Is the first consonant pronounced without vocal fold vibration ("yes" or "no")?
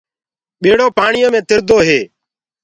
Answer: no